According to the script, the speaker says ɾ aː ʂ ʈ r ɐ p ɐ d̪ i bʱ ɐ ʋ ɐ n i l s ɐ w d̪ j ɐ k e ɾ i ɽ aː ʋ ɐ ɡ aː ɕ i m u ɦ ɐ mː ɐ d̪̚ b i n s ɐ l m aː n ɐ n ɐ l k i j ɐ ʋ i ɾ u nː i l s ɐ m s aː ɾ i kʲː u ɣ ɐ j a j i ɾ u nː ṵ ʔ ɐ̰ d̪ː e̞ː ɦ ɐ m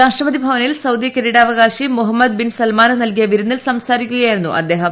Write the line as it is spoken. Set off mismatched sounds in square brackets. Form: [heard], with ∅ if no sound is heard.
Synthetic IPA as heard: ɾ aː ʂ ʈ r ɐ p ɐ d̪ i bʱ ɐ ʋ ɐ n i l s ɐ w d̪ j ɐ k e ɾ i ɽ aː ʋ ɐ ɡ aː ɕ i m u ɦ ɐ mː ɐ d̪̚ b i n s ɐ l m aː n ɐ n ɐ l k i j ɐ ʋ i ɾ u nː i l s ɐ m s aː ɾ i kʲː u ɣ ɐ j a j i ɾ u nː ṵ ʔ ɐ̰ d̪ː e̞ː ɦ ɐ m